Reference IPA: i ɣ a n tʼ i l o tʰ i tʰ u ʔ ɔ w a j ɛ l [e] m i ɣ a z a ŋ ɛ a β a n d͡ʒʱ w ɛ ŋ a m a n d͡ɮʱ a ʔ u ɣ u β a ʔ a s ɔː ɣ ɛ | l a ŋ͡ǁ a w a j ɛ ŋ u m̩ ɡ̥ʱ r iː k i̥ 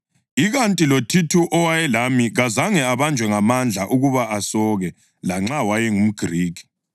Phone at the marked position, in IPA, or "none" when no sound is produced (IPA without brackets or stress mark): a